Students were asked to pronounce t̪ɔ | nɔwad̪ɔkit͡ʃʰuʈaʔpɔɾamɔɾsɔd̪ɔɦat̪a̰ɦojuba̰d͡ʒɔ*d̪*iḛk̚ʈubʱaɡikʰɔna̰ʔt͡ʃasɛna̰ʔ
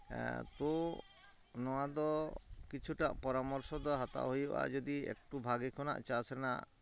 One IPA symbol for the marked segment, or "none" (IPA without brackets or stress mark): d̪